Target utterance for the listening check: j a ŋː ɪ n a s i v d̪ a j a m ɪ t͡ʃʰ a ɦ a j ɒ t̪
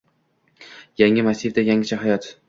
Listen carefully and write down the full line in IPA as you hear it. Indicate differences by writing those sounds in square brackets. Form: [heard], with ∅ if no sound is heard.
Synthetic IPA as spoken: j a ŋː ɪ [m] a s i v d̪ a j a [ŋ] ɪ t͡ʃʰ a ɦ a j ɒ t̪